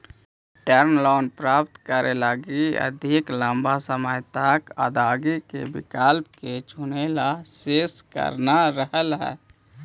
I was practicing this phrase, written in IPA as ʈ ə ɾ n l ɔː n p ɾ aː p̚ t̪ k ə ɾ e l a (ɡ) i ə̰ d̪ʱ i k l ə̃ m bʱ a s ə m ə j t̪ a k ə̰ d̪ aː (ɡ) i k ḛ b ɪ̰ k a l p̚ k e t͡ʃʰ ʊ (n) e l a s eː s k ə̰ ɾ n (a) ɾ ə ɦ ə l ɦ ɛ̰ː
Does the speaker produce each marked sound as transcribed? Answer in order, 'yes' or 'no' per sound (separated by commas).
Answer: yes, yes, yes, yes